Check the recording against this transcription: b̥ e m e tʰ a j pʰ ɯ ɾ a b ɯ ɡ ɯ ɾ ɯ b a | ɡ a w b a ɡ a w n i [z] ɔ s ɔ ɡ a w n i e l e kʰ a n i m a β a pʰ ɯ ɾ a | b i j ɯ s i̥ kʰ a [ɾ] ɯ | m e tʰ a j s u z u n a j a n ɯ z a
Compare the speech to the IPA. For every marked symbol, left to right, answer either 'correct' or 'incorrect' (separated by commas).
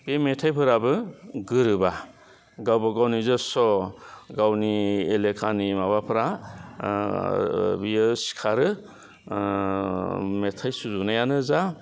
correct, correct